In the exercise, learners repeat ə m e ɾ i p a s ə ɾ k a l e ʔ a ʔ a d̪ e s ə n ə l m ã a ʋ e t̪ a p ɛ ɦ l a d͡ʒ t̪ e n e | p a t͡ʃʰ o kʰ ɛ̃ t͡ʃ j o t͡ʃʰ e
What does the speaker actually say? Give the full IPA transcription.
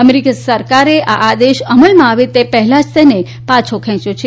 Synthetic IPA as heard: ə m e ɾ i k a s ə ɾ k a ɾ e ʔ a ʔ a d̪ e ʃ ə m ə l m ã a ʋ e t̪ e p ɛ ɦ l a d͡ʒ t̪ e n e | p a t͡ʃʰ o kʰ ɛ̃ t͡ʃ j o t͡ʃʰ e